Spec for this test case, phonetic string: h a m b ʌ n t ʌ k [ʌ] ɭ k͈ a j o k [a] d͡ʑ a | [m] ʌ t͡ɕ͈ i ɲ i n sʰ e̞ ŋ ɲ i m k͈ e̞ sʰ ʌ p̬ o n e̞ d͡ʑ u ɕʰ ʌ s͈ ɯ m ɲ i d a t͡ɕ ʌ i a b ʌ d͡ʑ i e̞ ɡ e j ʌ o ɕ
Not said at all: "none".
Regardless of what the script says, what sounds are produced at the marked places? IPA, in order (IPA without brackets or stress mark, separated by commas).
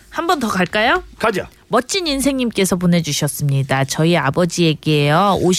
a, a, m